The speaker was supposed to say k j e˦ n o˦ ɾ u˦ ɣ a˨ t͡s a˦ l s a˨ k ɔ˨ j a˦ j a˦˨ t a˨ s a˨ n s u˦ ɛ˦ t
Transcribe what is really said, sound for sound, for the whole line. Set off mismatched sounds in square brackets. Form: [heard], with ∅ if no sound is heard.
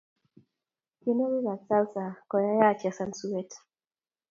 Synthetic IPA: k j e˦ n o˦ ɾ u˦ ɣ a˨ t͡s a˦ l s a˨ k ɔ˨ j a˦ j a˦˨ [t͡ʃ] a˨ s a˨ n s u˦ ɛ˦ t